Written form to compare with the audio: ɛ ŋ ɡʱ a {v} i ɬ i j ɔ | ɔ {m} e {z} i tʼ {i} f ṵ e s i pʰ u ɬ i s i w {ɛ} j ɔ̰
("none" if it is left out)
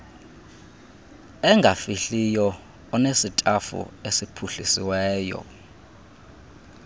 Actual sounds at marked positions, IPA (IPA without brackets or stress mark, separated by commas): f, n, s, a, ɛː